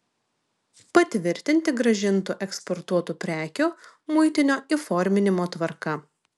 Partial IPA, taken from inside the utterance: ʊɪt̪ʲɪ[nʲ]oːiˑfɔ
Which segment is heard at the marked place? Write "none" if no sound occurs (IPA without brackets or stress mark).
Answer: nʲ